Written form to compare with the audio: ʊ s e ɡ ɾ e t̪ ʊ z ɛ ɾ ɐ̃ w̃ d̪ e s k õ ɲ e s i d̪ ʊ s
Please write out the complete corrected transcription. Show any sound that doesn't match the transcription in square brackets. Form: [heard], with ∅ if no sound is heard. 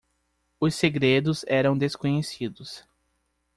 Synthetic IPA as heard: ʊ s e ɡ ɾ e [d̪] ʊ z ɛ ɾ ɐ̃ w̃ d̪ e s k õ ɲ e s i d̪ ʊ s